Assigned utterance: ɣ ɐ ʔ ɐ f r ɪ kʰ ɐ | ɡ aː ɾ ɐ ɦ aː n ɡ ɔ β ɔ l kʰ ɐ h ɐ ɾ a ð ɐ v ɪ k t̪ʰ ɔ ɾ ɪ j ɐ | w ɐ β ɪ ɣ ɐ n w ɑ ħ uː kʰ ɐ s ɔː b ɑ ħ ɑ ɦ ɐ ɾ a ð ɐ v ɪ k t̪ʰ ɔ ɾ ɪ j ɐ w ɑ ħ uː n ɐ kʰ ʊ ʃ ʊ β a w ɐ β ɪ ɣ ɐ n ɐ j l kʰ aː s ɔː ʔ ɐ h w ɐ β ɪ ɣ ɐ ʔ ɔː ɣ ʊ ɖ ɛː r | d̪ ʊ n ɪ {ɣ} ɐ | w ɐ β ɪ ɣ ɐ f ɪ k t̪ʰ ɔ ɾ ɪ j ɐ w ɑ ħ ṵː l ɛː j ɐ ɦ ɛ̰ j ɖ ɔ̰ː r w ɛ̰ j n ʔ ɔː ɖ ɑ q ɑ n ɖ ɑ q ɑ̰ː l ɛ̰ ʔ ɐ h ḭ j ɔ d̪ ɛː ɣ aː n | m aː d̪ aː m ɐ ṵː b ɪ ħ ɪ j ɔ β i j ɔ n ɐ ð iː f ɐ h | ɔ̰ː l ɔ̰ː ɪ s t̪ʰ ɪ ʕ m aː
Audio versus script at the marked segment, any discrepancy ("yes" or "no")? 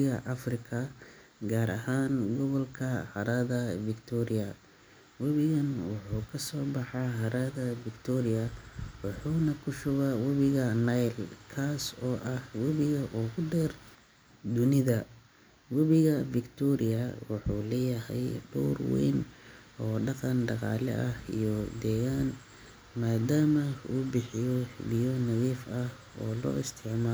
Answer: yes